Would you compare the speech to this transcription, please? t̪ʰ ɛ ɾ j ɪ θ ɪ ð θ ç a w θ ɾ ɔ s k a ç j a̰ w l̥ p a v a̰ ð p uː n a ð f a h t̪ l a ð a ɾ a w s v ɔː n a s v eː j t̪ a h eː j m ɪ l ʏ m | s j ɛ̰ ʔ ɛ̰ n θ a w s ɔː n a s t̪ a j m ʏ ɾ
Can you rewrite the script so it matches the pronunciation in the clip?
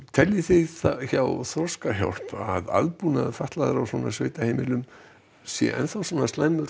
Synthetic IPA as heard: t̪ʰ ɛ l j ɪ θ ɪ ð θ ç a w θ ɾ ɔ s k a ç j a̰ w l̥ p a ð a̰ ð p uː n a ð f a h t̪ l a ð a ɾ a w s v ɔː n a s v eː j t̪ a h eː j m ɪ l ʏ m | s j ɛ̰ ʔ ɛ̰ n θ a w s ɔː n a s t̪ a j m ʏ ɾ